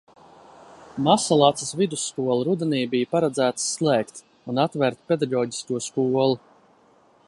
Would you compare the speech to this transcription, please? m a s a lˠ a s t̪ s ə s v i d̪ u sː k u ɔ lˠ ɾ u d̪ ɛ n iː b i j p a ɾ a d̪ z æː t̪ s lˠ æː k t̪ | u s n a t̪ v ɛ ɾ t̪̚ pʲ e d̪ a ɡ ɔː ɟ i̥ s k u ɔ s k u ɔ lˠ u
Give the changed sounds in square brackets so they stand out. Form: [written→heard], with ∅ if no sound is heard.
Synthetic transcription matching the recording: m a s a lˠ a [s→∅] t̪ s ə s v i d̪ u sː k u ɔ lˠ ɾ u d̪ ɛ n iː b i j p a ɾ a d̪ z æː t̪ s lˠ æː k t̪ | u [s→∅] n a t̪ v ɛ ɾ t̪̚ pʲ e d̪ a ɡ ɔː ɟ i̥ s k u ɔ s k u ɔ lˠ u